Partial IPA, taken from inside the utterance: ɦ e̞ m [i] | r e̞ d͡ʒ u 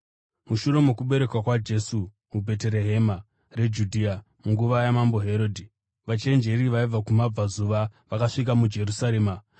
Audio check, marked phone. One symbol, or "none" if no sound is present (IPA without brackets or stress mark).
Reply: a